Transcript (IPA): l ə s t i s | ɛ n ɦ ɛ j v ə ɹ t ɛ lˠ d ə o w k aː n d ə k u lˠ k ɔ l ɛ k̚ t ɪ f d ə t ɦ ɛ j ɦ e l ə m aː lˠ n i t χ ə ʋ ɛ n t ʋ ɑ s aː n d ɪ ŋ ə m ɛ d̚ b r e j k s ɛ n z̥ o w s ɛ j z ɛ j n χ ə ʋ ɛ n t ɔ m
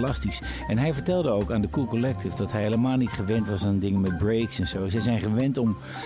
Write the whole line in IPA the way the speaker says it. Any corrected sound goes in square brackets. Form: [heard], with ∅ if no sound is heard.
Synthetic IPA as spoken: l [ɑ] s t i s | ɛ n ɦ ɛ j v ə ɹ t ɛ lˠ d ə o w k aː n d ə k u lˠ k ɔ l ɛ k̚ t ɪ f d [ɑ] t ɦ ɛ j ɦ e l ə m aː lˠ n i t χ ə ʋ ɛ n t ʋ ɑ s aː n d ɪ ŋ ə m ɛ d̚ b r e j k s ɛ n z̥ o w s ɛ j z ɛ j n χ ə ʋ ɛ n t ɔ m